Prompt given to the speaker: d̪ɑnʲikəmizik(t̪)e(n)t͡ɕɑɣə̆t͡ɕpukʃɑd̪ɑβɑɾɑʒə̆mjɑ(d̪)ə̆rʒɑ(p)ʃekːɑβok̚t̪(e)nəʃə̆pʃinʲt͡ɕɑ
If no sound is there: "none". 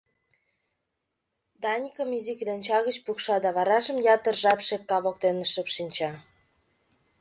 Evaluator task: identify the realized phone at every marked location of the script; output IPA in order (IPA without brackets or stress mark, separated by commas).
d̪, n, t̪, p, e